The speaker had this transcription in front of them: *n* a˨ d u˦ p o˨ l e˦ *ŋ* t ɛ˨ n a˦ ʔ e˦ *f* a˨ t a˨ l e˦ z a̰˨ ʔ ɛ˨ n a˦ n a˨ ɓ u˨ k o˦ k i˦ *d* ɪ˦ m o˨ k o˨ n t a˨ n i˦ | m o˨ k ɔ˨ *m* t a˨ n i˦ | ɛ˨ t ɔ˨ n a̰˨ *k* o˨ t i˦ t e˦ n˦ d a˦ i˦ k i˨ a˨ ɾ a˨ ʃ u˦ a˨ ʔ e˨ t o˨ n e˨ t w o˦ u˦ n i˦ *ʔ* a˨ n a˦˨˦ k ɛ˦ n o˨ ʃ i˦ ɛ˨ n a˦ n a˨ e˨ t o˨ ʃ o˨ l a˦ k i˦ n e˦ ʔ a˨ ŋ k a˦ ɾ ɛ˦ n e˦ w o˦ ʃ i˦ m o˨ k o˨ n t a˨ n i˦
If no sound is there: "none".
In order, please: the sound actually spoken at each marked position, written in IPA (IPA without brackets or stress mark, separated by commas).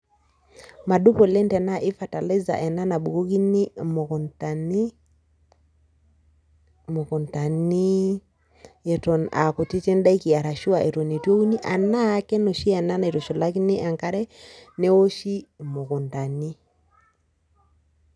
m, n, f, n, n, k, ʔ